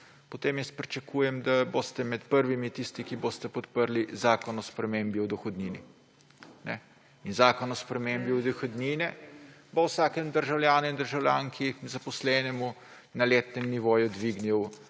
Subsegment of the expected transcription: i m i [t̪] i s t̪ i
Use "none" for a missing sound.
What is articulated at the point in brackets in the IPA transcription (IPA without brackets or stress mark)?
t̪